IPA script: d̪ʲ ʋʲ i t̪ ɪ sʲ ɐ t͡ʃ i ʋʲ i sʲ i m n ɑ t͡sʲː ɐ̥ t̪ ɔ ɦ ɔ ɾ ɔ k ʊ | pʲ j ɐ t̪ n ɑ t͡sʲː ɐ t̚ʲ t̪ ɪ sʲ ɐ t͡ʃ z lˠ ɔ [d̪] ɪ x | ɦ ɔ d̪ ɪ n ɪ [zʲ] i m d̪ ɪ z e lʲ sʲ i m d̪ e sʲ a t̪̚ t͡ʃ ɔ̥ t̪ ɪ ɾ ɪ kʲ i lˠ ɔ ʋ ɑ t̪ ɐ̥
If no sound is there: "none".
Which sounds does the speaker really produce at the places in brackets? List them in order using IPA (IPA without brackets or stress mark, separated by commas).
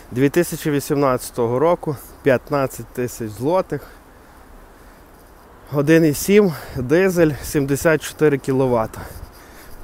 t̪, sʲ